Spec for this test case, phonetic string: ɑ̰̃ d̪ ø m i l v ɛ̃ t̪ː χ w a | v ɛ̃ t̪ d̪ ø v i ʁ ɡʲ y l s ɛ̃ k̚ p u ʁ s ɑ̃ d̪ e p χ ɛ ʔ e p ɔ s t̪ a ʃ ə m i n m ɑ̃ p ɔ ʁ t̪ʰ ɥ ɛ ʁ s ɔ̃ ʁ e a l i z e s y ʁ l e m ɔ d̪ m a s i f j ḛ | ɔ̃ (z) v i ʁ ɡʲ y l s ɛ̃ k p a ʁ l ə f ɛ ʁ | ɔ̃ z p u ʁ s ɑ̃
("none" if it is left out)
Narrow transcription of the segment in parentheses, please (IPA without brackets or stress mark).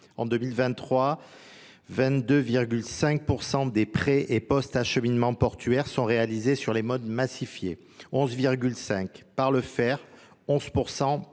z